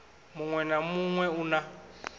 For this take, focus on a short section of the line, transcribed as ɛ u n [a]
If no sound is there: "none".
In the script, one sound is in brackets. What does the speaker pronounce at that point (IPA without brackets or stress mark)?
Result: a